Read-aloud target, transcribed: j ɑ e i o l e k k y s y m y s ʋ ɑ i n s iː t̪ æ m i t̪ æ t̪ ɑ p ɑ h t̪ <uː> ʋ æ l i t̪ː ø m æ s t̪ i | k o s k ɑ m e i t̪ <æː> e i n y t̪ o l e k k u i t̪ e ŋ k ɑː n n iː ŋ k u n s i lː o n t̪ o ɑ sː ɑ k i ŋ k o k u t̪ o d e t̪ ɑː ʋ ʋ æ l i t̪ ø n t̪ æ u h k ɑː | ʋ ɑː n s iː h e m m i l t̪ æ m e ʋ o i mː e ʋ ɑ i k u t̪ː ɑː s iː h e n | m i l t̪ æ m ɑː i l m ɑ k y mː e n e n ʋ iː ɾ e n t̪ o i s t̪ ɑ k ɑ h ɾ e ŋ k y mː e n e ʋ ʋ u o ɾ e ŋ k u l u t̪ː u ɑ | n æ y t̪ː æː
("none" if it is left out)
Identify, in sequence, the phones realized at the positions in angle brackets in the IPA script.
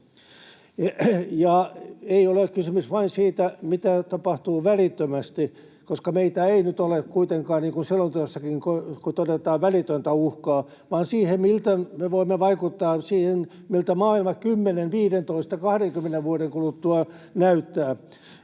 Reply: uː, æ

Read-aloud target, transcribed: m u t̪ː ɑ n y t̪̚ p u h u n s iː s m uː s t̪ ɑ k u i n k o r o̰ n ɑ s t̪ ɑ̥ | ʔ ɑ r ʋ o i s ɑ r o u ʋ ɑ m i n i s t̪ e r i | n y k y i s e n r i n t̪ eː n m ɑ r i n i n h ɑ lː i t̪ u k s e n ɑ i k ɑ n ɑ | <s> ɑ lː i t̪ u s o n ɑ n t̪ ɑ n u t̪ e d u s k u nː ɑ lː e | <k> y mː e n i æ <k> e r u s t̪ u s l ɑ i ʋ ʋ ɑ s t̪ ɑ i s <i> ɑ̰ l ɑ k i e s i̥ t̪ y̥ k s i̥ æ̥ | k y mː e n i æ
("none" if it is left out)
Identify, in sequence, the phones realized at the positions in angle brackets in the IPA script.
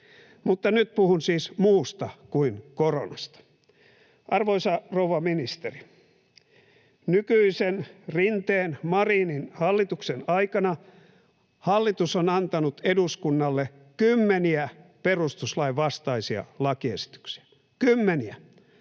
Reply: h, k, p, i

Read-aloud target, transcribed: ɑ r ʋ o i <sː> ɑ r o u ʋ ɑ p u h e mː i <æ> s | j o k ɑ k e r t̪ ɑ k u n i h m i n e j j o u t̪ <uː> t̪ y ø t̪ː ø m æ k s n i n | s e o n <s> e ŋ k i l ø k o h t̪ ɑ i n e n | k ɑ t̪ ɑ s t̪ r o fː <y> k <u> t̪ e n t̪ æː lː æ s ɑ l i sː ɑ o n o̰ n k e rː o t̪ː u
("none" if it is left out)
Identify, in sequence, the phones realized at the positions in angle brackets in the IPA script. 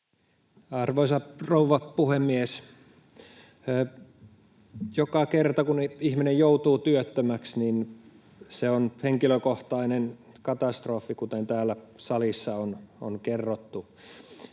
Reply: s, e, uː, h, i, u

